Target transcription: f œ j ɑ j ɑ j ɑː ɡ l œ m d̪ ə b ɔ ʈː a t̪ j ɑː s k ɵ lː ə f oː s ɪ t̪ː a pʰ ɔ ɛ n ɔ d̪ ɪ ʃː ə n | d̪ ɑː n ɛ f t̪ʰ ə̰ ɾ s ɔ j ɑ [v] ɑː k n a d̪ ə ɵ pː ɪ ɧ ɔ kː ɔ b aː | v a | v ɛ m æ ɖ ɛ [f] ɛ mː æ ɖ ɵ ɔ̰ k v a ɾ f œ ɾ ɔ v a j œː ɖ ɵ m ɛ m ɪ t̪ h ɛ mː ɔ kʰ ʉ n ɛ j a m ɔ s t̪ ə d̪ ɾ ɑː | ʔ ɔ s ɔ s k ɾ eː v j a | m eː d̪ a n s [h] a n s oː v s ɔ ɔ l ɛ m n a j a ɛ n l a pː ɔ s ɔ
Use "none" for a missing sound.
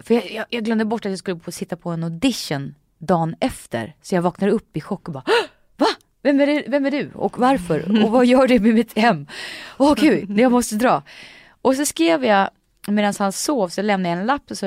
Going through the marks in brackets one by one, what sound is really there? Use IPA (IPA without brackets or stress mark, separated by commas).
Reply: v, v, h